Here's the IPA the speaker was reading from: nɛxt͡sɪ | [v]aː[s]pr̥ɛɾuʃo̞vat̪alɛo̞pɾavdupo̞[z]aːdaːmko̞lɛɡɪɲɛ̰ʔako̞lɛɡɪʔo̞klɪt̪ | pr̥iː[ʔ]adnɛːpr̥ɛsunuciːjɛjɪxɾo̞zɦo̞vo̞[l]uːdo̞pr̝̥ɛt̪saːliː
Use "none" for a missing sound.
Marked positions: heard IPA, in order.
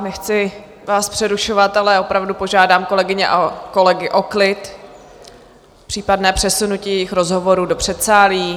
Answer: v, s, ʒ, p, ɾ

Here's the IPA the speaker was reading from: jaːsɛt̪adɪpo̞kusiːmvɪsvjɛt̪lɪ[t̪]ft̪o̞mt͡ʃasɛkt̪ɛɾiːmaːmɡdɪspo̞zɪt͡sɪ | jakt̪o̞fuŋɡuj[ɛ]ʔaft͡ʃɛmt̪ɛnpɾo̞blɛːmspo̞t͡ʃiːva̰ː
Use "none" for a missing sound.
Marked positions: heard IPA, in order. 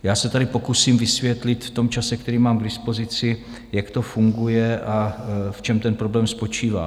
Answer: t̪, ɛ

